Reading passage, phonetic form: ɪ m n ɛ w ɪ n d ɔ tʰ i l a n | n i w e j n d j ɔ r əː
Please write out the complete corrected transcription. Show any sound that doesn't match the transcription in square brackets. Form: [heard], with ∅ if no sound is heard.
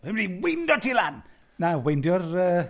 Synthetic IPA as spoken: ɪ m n [i] w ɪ n d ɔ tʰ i l a n | n [a] w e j n d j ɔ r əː